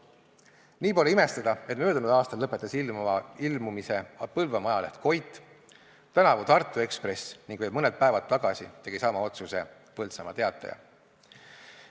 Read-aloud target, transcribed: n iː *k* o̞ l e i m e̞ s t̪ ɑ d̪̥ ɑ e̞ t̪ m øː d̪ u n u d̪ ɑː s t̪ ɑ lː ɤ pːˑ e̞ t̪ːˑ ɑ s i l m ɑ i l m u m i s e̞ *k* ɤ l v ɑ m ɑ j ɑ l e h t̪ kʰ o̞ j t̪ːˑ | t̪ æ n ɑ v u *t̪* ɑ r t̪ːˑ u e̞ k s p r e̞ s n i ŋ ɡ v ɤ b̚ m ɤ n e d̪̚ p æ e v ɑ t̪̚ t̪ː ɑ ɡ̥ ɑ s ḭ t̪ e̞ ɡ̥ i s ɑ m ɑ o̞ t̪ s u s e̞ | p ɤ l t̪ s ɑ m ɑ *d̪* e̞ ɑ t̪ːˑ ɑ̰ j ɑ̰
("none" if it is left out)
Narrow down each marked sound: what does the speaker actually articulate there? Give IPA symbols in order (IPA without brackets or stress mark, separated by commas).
p, p, t̪, t̪